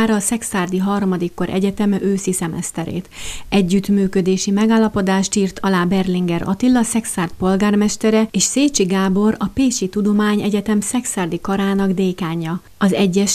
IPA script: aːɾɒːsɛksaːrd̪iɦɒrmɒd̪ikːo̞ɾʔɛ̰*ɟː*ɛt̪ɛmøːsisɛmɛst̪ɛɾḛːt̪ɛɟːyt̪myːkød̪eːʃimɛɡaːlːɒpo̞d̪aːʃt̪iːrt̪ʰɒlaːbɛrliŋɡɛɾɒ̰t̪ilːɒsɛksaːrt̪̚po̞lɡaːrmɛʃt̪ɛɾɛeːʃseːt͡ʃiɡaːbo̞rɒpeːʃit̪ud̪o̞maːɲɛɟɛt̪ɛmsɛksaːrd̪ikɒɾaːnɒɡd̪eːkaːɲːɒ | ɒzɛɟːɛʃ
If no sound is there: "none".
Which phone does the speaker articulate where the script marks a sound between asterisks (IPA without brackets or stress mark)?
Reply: ɟ